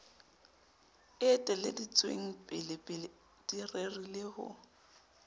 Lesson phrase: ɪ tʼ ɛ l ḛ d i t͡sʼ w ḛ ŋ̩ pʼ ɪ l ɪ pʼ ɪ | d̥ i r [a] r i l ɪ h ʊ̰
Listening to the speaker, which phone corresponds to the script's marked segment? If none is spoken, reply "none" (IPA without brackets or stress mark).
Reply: e